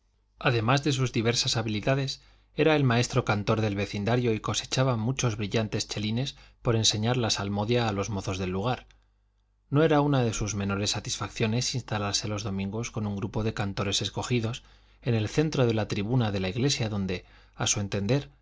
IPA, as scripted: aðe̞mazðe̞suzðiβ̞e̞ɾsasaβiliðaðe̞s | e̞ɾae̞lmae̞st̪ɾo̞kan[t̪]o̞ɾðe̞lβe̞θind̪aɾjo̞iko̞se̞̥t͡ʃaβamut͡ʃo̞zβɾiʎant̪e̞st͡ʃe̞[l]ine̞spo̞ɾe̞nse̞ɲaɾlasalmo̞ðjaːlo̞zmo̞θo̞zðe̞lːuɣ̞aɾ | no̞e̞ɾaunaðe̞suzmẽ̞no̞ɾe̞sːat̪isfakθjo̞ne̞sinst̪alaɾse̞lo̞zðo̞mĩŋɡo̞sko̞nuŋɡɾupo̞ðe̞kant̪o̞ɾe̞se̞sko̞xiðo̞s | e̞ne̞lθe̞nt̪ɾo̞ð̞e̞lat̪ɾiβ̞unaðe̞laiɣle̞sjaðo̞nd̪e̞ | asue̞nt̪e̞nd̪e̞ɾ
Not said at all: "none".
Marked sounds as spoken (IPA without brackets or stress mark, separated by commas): t̪, l